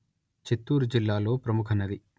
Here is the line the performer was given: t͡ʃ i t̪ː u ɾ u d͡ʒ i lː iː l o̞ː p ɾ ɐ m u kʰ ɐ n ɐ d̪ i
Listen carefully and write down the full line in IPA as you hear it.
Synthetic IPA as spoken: t͡ʃ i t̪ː uː ɾ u d͡ʒ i lː aː l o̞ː p ɾ ɐ m u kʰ ɐ n ɐ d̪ i